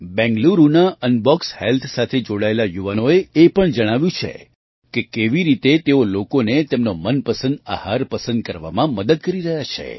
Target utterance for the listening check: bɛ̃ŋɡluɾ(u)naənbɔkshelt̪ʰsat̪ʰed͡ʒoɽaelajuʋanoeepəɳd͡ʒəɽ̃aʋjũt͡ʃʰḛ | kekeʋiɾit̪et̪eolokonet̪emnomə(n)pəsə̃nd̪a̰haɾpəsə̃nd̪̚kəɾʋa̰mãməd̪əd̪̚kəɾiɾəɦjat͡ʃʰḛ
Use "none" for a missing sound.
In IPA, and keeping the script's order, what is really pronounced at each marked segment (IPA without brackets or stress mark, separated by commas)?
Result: u, n